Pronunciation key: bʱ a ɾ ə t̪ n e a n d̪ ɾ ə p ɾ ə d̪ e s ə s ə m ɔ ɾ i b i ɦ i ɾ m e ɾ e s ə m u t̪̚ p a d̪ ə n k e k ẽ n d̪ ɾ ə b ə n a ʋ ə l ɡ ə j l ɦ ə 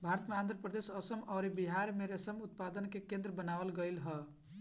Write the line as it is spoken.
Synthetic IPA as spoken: bʱ a ɾ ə t̪ m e a n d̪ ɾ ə p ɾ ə d̪ e s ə s ə m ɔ ɾ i b i ɦ a ɾ m e ɾ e s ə m u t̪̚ p a d̪ ə n k e k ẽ n d̪ ɾ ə b ə n a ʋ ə l ɡ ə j l ɦ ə